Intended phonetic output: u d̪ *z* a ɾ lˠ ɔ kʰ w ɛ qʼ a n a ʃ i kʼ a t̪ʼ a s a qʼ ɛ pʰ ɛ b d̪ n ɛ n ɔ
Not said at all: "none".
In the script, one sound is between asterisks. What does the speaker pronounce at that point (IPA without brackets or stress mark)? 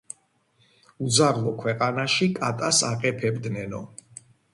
z